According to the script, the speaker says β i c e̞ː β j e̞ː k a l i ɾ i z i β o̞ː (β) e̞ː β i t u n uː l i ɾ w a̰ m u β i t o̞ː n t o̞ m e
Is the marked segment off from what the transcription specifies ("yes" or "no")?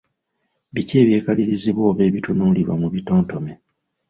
no